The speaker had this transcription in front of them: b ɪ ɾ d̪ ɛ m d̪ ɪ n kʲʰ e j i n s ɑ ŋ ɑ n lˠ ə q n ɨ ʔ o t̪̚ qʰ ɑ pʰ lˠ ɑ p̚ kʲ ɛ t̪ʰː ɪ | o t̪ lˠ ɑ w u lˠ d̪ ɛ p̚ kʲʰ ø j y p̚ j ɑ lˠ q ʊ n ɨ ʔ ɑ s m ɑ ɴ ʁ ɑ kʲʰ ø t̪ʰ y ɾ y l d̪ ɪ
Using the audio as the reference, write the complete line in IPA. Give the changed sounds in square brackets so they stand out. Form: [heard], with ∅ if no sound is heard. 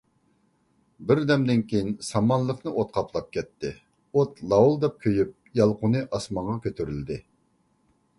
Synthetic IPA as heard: b ɪ ɾ d̪ ɛ m d̪ ɪ n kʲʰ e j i n s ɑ [m] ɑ n lˠ ə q n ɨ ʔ o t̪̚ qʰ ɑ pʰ lˠ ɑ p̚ kʲ ɛ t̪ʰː ɪ | o t̪ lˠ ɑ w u lˠ d̪ ɛ p̚ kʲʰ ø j y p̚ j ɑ lˠ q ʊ n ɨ ʔ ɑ s m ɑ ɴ ʁ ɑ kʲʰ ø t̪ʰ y ɾ y l d̪ ɪ